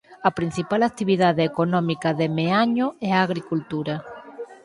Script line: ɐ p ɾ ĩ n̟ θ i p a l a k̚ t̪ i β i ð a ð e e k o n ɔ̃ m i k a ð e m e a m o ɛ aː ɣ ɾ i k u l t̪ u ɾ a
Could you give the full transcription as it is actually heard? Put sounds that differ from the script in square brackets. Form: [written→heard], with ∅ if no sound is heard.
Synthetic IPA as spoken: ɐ p ɾ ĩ n̟ θ i p a l a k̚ t̪ i β i ð a ð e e k o n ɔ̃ m i k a ð e m e a [m→ɲ] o ɛ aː ɣ ɾ i k u l t̪ u ɾ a

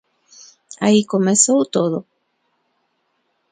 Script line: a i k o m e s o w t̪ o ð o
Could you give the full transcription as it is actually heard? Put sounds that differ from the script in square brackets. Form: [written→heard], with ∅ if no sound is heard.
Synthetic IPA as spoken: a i k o m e s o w t̪ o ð o

